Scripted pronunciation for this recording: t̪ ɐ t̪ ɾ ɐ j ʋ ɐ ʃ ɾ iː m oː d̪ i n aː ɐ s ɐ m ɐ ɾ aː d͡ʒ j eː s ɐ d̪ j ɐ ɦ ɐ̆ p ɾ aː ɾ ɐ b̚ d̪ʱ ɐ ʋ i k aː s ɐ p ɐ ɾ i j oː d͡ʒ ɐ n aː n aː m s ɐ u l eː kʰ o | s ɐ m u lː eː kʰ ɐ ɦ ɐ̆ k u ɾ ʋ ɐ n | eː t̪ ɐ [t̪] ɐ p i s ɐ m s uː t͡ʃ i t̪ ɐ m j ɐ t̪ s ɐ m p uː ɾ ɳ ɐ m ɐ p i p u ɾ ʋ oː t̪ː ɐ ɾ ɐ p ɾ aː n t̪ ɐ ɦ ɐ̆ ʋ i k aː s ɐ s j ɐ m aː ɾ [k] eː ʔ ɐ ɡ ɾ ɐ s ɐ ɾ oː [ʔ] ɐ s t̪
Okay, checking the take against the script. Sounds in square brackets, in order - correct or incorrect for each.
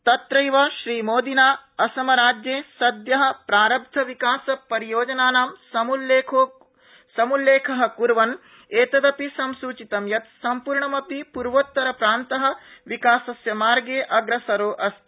incorrect: d̪, incorrect: ɡ, correct

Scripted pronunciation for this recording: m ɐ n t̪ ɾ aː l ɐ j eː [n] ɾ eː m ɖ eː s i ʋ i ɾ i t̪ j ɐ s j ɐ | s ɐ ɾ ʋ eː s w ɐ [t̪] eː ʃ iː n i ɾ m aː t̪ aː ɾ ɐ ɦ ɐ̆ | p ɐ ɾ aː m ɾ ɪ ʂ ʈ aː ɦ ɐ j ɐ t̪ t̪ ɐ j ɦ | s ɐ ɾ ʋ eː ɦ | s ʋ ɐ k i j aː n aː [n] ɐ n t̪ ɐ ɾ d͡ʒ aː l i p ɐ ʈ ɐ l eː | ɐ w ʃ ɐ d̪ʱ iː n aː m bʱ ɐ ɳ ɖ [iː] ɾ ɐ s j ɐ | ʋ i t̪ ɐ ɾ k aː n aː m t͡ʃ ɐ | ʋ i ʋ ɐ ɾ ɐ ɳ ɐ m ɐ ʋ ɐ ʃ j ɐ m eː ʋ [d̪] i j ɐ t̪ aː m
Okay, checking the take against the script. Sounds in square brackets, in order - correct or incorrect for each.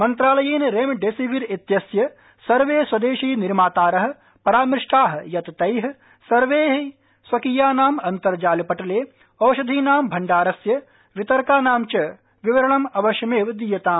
correct, incorrect: d̪, incorrect: m, incorrect: aː, correct

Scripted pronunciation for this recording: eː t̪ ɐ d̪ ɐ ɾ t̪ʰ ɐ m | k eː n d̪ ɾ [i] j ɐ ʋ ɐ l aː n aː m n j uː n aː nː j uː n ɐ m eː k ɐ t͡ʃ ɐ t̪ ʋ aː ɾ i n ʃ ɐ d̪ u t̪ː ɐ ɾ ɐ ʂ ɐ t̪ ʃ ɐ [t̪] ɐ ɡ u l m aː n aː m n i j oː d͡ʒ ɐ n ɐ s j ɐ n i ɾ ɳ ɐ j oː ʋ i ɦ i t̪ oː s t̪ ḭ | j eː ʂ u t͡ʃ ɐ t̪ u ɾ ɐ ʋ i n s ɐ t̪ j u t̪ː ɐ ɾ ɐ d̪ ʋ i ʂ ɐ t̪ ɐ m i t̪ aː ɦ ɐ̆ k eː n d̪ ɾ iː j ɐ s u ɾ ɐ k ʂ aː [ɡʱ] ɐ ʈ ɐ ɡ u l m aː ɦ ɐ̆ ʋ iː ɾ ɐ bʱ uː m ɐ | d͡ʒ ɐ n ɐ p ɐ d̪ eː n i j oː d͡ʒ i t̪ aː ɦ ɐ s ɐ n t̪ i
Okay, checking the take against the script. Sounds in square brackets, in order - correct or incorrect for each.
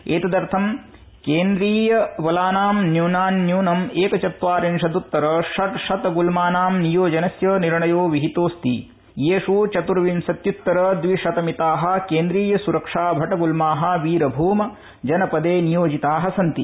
incorrect: iː, correct, incorrect: bʱ

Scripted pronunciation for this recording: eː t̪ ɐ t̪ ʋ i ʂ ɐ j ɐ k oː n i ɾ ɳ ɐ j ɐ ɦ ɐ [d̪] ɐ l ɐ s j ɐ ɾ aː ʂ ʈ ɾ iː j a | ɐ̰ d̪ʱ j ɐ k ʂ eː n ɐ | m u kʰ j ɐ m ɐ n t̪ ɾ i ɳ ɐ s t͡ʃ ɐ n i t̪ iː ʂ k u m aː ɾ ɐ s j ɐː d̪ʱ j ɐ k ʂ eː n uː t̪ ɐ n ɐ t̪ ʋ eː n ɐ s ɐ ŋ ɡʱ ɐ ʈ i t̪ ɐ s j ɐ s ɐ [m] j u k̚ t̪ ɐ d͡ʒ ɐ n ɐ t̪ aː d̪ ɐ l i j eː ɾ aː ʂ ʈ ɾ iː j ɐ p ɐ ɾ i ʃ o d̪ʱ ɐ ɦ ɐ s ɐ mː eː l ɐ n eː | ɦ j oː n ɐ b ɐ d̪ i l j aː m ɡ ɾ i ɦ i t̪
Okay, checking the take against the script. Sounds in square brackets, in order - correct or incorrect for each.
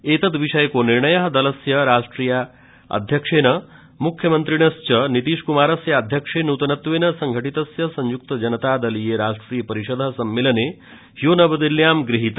correct, incorrect: ɲ

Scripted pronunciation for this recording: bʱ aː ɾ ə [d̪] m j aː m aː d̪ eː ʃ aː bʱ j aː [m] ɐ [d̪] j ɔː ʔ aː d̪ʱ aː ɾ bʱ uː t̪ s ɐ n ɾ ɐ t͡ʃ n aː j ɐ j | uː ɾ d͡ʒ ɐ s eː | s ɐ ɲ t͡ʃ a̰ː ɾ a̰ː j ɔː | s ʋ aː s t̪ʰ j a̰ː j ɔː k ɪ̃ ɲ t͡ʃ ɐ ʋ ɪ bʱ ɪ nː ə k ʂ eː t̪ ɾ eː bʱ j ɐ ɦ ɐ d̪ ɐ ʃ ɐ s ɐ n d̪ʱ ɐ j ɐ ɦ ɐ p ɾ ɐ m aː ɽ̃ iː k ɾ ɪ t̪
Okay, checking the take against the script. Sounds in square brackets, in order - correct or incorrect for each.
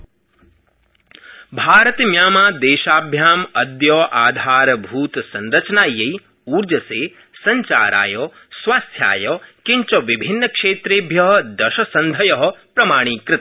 incorrect: t̪, correct, correct

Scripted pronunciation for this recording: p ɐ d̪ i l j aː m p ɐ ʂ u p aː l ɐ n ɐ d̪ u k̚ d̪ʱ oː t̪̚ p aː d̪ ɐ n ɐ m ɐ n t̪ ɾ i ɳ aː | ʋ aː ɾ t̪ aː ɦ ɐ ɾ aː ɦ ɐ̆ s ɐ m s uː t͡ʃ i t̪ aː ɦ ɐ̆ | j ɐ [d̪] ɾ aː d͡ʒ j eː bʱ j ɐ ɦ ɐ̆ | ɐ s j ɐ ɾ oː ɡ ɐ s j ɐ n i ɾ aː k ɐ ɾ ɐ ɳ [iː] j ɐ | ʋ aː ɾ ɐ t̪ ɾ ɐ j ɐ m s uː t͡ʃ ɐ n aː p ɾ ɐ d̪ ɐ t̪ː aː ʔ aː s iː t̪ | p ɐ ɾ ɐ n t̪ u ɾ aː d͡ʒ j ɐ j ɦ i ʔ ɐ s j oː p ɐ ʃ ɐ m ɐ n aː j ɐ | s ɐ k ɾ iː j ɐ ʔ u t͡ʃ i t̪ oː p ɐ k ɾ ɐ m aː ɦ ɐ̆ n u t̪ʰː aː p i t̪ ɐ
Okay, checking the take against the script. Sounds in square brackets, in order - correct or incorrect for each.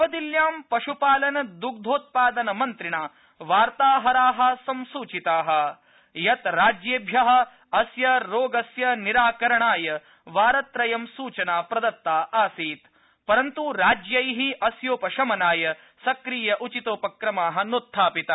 incorrect: t̪, incorrect: aː

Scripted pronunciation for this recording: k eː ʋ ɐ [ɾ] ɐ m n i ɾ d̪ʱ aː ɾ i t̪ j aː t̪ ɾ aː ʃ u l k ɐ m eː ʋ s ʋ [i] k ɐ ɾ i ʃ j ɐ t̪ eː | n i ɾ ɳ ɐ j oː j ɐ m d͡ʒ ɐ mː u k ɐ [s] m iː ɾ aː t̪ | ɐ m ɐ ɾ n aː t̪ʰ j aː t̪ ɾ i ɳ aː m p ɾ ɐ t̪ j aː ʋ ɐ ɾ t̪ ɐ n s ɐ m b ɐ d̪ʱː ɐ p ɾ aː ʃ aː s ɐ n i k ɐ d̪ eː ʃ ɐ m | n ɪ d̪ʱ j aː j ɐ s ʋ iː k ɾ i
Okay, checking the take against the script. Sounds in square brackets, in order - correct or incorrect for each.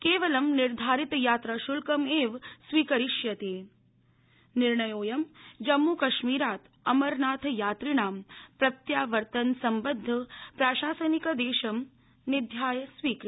incorrect: l, incorrect: iː, incorrect: ʃ

